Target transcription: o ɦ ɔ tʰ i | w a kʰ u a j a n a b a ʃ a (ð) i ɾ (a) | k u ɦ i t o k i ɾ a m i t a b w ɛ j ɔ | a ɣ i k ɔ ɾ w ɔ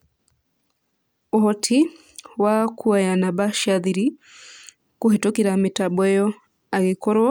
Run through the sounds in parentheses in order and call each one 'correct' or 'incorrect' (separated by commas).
correct, incorrect